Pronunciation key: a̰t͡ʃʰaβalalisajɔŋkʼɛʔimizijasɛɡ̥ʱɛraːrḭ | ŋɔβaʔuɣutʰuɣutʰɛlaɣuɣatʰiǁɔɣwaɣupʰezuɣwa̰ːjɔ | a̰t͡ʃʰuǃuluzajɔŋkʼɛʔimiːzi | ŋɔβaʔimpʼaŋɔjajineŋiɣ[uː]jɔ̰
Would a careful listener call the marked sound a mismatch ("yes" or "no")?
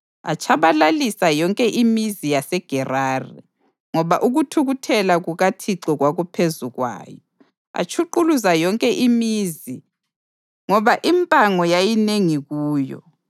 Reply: no